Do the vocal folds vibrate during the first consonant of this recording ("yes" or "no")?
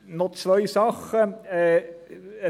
yes